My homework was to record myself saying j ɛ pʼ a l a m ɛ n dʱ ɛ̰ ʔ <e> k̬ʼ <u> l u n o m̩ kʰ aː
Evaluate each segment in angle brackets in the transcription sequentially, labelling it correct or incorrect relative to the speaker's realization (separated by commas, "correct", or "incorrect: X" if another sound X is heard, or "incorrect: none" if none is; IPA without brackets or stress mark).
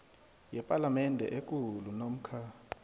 correct, correct